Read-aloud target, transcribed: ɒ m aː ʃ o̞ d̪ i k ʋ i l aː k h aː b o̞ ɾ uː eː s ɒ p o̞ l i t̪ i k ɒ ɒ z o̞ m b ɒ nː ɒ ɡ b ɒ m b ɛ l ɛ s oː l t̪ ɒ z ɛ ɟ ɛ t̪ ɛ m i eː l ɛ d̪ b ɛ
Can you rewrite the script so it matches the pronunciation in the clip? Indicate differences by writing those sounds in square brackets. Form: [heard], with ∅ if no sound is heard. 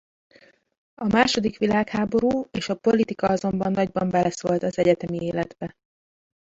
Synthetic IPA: ɒ m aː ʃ o̞ d̪ i k ʋ i l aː k h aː b o̞ ɾ uː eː [ʃ] ɒ p o̞ l i t̪ i k ɒ ɒ z o̞ m b ɒ nː ɒ [ɟ] b ɒ m b ɛ l ɛ s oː l t̪ ɒ z ɛ ɟ ɛ t̪ ɛ m i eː l ɛ d̪ b ɛ